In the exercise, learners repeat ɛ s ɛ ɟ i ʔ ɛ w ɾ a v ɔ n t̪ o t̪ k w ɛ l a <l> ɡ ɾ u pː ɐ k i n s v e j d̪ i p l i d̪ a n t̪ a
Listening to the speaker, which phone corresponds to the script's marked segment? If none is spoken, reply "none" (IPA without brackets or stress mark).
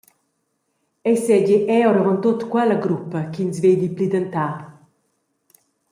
none